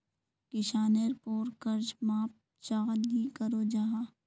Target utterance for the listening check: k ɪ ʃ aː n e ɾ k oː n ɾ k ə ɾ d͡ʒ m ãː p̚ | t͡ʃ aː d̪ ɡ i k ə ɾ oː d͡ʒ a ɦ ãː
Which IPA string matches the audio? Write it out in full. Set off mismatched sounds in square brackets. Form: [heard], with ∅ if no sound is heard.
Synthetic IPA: k ɪ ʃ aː n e ɾ [p] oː [∅] ɾ k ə ɾ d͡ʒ m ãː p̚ | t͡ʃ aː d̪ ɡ i k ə ɾ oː d͡ʒ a ɦ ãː